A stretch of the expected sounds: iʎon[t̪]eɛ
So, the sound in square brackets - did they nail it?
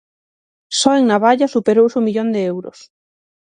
no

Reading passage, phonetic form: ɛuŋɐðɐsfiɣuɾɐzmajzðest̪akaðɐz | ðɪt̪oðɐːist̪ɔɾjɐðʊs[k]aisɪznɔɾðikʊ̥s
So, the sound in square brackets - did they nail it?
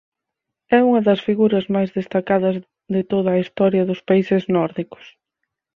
no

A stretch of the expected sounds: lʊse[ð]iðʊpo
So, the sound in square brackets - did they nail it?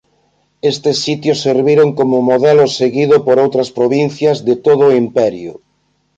no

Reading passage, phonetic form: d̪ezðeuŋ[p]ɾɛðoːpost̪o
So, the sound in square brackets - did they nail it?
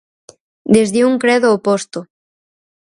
no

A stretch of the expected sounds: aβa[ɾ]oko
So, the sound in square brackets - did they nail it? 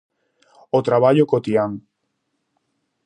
no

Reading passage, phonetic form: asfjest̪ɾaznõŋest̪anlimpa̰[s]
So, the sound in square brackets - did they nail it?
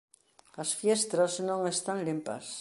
yes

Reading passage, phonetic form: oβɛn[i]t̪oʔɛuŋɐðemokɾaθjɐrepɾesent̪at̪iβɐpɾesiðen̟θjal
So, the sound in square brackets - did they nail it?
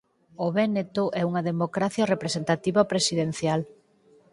no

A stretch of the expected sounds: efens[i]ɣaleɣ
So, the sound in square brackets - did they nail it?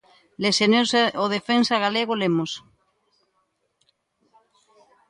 no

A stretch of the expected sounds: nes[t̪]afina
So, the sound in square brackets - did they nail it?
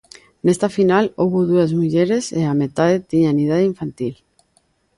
yes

